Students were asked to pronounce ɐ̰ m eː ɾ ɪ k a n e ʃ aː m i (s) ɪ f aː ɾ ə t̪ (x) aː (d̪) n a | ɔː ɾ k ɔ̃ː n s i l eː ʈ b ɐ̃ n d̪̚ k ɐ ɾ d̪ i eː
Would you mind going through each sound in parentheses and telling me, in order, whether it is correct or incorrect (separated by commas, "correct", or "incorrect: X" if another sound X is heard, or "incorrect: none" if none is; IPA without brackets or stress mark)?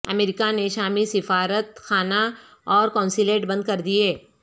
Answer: correct, correct, incorrect: none